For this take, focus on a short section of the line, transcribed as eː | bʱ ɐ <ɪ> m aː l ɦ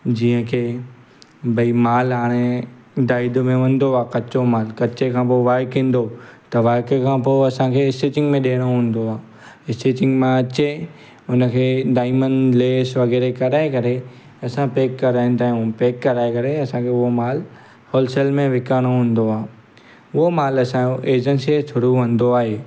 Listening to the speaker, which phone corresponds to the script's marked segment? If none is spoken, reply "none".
i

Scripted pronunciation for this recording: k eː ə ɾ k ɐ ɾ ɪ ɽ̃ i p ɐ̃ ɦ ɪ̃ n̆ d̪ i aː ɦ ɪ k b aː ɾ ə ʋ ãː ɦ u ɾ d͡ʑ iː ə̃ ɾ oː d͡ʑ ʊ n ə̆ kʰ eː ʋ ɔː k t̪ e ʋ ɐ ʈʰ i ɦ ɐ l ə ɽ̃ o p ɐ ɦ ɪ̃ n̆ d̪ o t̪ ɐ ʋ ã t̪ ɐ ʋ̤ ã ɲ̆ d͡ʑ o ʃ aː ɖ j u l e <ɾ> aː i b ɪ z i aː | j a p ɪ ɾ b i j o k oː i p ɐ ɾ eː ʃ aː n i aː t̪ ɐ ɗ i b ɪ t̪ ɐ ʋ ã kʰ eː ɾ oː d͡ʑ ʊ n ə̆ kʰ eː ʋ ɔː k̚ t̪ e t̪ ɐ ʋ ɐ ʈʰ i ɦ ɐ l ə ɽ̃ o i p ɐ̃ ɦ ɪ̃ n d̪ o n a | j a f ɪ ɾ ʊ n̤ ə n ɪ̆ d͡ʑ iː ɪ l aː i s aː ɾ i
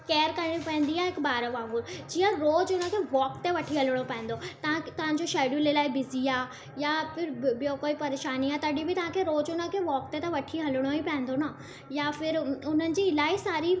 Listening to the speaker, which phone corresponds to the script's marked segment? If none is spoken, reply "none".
l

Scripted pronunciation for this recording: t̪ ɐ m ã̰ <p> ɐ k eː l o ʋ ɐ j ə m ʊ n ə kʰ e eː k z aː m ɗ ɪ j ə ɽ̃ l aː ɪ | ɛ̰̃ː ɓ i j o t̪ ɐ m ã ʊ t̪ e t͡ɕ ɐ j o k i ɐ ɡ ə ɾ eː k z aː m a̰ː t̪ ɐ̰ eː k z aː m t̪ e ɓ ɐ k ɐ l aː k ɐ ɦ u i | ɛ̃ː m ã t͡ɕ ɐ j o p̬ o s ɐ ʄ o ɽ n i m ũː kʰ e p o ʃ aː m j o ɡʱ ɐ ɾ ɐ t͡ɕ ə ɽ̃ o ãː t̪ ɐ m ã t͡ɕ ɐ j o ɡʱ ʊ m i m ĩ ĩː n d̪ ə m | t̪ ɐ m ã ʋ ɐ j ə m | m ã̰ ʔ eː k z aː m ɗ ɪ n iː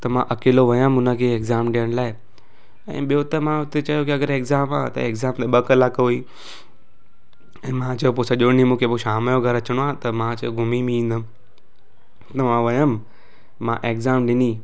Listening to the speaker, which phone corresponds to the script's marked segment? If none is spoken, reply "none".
ʔ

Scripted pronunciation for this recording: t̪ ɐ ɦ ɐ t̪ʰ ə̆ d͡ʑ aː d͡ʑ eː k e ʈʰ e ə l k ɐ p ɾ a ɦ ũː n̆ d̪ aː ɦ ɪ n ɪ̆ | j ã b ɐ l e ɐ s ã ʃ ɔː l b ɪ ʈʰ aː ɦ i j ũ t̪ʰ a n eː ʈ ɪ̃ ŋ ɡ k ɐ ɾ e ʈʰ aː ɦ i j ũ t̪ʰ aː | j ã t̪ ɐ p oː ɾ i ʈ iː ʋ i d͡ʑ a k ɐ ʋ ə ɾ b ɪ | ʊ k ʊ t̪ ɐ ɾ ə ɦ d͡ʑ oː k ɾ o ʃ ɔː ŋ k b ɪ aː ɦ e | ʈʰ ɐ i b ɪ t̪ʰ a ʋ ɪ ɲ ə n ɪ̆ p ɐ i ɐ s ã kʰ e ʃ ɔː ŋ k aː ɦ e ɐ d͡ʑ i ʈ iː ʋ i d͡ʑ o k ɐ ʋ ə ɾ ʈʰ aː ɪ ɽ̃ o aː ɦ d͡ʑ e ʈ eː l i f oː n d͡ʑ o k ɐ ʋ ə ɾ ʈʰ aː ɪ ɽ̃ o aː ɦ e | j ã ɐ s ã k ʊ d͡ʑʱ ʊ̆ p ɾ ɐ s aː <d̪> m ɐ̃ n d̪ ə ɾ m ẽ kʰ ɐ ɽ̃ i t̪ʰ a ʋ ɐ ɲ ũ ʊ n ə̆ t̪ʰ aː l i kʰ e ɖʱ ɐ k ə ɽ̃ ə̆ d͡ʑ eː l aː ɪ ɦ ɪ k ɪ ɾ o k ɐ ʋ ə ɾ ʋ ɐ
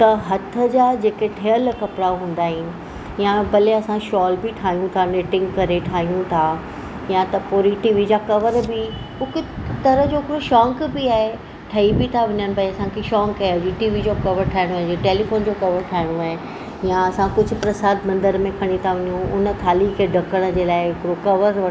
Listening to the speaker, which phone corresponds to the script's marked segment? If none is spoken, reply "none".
d̪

